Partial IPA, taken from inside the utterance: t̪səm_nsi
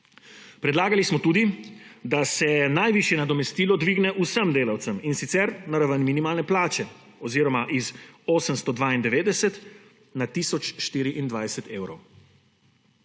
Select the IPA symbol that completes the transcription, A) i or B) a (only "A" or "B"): A